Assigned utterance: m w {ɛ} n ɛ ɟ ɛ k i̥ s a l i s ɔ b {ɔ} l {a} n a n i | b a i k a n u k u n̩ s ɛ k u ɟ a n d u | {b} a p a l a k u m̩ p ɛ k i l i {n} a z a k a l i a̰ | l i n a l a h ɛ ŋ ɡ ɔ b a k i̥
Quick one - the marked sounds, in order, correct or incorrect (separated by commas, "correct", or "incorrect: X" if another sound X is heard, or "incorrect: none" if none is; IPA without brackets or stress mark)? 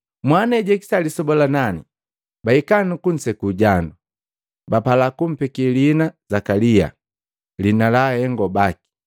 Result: incorrect: a, correct, correct, correct, correct